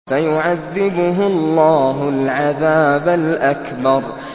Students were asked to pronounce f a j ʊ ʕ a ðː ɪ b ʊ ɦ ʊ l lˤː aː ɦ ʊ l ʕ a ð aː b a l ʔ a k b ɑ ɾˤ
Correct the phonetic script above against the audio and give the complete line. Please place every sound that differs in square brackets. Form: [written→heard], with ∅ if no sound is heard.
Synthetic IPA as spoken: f a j ʊ ʕ a ðː ɪ b ʊ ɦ ʊ l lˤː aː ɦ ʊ l ʕ a ð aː b a l ʔ a k b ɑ ɾˤ